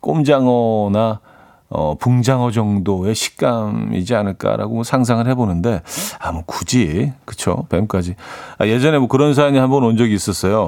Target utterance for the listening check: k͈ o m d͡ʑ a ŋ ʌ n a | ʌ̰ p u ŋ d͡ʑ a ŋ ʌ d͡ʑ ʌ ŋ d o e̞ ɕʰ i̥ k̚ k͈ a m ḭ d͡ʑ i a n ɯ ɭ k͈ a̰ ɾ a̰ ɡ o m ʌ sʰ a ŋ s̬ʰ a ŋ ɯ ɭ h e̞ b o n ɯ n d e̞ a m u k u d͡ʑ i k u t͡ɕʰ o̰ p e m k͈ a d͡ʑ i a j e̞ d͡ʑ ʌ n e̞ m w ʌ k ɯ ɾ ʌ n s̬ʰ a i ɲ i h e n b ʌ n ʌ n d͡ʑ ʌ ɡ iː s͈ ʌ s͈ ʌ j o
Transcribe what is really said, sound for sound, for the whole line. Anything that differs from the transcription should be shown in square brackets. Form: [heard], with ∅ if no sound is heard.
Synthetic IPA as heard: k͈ o m d͡ʑ a ŋ ʌ n a | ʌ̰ p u ŋ d͡ʑ a ŋ ʌ d͡ʑ ʌ ŋ d o e̞ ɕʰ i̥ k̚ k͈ a m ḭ d͡ʑ i a n ɯ ɭ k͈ a̰ ɾ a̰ ɡ o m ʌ sʰ a ŋ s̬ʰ a ŋ ɯ ɭ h e̞ b o n ɯ n d e̞ a m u k u d͡ʑ i k [ɯ] t͡ɕʰ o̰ p e m k͈ a d͡ʑ i a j e̞ d͡ʑ ʌ n e̞ m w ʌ k ɯ ɾ ʌ n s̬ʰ a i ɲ i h [a] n b ʌ n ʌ n d͡ʑ ʌ ɡ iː s͈ ʌ s͈ ʌ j o